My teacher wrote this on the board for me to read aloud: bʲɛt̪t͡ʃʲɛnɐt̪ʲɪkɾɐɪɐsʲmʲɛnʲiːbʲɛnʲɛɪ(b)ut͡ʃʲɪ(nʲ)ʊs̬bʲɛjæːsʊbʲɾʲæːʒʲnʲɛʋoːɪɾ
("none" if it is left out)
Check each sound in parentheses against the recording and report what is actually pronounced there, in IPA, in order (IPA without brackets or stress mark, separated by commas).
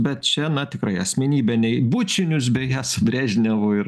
b, nʲ